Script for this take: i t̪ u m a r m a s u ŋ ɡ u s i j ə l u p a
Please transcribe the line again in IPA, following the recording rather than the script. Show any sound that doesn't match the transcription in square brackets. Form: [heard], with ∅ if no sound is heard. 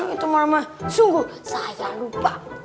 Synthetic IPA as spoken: i t̪ u m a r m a s u ŋ ɡ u s [a] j [a] l u p a